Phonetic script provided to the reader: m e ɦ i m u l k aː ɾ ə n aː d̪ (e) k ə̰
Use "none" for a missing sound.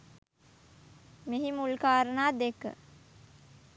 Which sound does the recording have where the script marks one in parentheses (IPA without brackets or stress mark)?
e